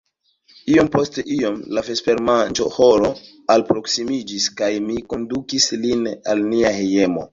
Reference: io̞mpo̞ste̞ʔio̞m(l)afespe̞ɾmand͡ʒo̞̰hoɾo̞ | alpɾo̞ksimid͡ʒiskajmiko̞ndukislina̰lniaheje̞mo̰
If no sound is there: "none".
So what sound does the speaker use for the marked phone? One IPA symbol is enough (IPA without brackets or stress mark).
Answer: l